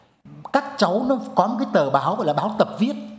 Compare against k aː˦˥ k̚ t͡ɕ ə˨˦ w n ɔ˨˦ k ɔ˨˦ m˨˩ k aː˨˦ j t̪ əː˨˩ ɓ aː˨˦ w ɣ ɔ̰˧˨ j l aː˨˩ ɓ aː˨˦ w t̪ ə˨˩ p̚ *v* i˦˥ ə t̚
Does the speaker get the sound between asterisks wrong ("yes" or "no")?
no